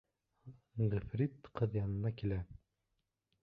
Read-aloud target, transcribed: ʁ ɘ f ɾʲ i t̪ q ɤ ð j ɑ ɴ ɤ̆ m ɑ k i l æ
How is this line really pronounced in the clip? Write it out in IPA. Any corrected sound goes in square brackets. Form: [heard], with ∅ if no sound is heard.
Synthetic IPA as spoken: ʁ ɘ f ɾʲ i t̪ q ɤ ð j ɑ [n] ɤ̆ [n] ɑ k i l æ